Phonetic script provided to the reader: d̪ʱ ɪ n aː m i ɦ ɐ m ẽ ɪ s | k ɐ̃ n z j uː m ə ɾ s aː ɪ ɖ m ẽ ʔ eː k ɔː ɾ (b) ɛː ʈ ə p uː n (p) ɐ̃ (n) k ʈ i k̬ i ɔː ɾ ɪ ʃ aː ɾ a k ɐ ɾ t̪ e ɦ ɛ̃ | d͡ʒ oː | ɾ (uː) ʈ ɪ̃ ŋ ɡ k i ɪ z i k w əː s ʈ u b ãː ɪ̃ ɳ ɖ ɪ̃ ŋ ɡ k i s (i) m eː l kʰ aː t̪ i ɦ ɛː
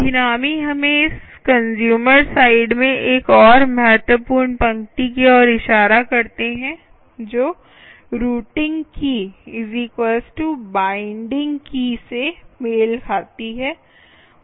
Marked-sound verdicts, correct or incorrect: incorrect: m, correct, incorrect: ŋ, correct, incorrect: e

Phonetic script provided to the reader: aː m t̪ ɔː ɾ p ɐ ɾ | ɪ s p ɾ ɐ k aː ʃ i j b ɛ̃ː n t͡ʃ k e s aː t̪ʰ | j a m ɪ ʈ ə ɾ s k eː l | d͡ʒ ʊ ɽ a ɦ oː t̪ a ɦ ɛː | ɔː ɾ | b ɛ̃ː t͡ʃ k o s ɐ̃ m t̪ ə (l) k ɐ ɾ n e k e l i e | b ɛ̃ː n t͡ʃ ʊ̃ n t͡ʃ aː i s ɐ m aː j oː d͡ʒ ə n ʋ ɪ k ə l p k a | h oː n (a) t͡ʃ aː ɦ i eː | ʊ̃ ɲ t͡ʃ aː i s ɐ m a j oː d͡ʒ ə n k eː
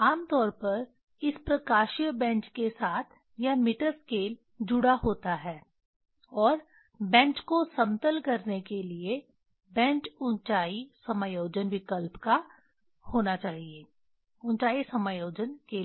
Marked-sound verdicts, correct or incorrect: correct, correct

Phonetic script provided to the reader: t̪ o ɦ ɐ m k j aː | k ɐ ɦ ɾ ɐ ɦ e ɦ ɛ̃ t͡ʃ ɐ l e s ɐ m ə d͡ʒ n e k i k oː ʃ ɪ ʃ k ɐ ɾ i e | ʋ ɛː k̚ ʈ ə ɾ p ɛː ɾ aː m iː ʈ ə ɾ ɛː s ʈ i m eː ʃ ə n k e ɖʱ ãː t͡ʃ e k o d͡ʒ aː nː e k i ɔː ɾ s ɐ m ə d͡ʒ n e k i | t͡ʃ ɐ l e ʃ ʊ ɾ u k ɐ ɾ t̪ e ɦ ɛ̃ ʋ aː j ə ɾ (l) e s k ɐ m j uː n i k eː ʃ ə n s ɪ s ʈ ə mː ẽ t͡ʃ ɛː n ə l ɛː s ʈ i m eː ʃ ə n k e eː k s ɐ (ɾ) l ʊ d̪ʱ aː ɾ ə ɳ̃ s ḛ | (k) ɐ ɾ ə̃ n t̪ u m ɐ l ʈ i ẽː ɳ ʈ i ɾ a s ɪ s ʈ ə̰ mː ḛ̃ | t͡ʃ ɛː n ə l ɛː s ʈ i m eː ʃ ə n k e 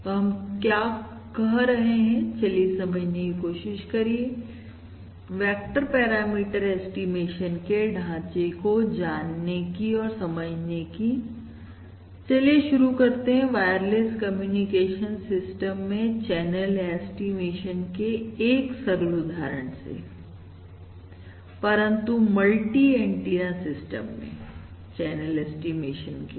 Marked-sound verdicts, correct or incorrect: correct, correct, incorrect: p

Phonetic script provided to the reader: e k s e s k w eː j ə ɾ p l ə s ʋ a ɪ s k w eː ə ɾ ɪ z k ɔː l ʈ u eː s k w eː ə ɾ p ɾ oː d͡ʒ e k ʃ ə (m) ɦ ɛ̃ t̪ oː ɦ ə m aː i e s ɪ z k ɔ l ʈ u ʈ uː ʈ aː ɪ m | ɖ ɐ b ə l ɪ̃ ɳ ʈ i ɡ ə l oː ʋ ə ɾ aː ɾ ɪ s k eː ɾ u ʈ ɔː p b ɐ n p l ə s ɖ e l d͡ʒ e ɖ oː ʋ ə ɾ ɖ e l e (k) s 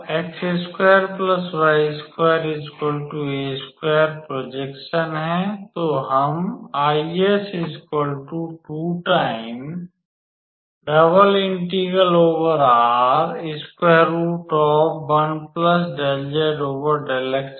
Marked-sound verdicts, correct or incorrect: incorrect: n, correct

